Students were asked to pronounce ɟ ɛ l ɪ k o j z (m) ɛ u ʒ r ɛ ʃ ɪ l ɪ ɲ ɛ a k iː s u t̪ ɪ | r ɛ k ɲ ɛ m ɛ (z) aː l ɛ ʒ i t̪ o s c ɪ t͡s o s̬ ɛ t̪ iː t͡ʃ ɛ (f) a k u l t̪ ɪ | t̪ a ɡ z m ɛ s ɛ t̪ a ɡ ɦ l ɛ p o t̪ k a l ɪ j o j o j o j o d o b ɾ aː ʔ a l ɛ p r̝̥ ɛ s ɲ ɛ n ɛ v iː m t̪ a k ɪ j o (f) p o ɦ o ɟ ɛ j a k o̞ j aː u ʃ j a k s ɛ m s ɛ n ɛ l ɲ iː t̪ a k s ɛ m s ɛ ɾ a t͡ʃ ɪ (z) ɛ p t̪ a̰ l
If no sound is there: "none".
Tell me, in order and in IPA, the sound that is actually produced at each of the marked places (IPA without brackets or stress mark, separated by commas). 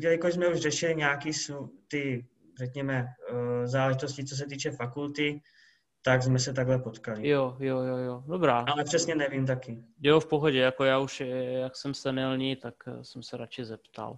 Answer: m, z, f, f, z